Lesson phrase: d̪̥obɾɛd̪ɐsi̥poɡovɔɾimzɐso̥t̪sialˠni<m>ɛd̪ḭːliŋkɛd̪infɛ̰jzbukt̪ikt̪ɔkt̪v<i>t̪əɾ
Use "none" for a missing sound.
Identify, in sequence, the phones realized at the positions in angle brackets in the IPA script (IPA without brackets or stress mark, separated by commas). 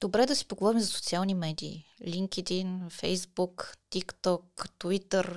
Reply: m, i